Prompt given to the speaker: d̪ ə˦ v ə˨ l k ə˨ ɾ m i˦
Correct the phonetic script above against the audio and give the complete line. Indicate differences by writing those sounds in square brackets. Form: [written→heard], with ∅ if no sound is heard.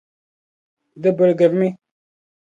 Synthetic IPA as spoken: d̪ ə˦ [v→b] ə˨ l [k→ɡ] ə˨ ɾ m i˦